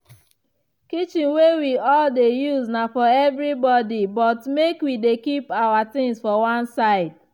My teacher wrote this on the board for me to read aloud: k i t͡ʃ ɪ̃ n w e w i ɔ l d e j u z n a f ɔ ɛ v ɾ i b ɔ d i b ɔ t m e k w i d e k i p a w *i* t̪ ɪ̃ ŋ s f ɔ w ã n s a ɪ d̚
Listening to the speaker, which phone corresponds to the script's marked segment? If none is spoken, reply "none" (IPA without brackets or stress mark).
a